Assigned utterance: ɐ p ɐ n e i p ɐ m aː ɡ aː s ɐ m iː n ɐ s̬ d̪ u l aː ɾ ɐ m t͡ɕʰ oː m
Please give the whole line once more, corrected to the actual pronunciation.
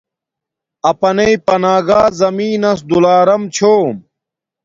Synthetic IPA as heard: ɐ p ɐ n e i p ɐ n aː ɡ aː z ɐ m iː n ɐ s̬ d̪ u l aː ɾ ɐ m t͡ɕʰ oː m